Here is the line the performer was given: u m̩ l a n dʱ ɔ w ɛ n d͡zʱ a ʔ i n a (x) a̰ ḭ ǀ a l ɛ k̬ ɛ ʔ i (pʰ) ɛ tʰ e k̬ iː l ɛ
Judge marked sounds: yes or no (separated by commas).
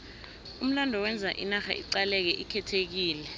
yes, no